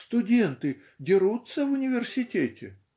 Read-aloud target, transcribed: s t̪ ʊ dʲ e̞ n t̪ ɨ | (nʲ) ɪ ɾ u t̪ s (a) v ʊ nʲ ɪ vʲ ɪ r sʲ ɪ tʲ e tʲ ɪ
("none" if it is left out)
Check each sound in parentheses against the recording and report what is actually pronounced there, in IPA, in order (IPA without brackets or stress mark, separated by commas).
dʲ, ə